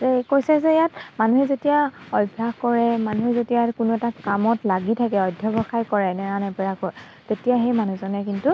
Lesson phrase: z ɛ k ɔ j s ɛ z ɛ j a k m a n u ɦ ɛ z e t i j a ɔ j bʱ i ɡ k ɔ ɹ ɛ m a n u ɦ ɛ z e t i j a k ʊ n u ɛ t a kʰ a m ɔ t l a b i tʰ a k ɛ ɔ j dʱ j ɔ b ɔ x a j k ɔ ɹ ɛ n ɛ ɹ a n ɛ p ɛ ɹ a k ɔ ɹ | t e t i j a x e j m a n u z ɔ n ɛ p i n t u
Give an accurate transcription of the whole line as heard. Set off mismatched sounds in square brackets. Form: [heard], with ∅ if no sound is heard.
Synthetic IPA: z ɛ k [o] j s ɛ z ɛ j a [t] m a n u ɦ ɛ z e t i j a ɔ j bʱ [a] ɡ k ɔ ɹ ɛ m a n u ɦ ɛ z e t i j a k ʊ n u ɛ t a [k] a m ɔ t l a [ɡ] i tʰ a k ɛ ɔ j dʱ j ɔ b ɔ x a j k ɔ ɹ ɛ n ɛ ɹ a n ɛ p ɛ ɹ a k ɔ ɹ | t e t i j a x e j m a n u z ɔ n ɛ [k] i n t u

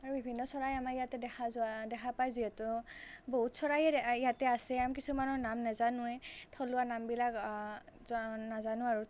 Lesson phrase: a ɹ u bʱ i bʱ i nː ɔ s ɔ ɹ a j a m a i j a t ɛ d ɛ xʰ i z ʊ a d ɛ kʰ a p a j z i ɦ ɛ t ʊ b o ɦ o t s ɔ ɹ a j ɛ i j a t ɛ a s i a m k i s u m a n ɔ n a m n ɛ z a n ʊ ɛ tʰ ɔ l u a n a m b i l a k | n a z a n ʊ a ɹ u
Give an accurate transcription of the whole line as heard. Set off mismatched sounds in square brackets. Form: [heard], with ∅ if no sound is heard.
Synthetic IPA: a ɹ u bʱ i bʱ i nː ɔ s ɔ ɹ a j a m a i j a t ɛ d ɛ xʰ [a] z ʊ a d ɛ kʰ a p a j z i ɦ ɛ t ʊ b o ɦ [u] t s ɔ ɹ a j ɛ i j a t ɛ a s [ɛ] a m k i s u m a n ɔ n a m n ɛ z a n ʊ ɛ tʰ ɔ l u a n a m b i l a k | n a z a n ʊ a ɹ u

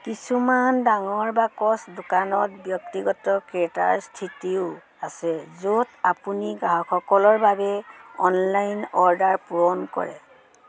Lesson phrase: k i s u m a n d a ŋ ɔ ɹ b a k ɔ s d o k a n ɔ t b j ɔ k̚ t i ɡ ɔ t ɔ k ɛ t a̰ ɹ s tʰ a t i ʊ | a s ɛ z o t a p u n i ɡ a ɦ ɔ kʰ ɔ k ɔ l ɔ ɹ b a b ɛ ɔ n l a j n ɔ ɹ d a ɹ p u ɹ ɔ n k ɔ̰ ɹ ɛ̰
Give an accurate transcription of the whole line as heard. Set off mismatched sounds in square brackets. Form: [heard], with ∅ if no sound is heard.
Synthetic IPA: k i s u m a n d a ŋ ɔ ɹ b a k ɔ s d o k a n ɔ t b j ɔ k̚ t i ɡ ɔ t ɔ k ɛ t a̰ ɹ s tʰ [i] t i ʊ | a s ɛ z o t a p u n i ɡ a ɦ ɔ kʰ ɔ k ɔ l ɔ ɹ b a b ɛ ɔ n l a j n ɔ ɹ d a ɹ p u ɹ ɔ n k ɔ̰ ɹ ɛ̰

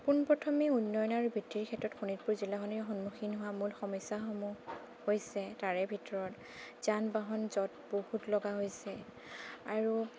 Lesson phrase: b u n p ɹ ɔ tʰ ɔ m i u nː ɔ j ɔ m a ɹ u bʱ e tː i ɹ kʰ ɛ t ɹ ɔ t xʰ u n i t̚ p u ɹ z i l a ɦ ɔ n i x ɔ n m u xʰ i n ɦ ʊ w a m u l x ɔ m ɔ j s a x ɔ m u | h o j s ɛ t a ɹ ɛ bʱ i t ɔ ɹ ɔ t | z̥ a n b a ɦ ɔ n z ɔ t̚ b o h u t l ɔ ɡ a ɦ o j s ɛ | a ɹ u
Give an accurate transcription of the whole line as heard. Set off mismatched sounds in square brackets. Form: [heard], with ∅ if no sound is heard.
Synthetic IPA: [p] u n p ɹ ɔ tʰ ɔ m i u nː ɔ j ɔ [n] a ɹ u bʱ [i] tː i ɹ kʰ ɛ t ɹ ɔ t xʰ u n i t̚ p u ɹ z i l a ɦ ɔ n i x ɔ n m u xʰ i n ɦ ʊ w a m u l x ɔ m ɔ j s a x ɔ m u | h o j s ɛ t a ɹ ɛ bʱ i t ɔ ɹ ɔ t | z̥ a n b a ɦ ɔ n z ɔ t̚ b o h u t l ɔ ɡ a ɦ o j s ɛ | a ɹ u

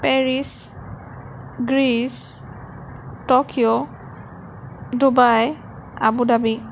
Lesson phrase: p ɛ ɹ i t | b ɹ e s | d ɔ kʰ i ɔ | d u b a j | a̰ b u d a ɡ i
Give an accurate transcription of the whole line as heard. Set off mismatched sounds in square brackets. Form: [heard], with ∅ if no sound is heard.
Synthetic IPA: p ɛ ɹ i [s] | [ɡ] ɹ [i] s | [t] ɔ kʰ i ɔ | d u b a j | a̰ b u d a [b] i

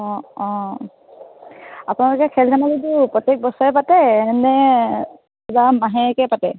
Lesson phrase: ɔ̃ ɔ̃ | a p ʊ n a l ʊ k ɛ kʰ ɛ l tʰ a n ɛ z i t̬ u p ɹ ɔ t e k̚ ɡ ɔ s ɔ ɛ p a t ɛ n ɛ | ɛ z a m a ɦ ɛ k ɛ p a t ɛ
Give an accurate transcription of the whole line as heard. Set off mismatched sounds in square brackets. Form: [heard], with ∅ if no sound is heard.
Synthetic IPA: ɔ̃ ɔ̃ | a p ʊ n a l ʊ k ɛ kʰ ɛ l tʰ a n [a] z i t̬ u p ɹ ɔ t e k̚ [b] ɔ s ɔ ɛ p a t ɛ n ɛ | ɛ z a m a ɦ ɛ k ɛ p a t ɛ

